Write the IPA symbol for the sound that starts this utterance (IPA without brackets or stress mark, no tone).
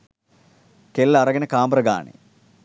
k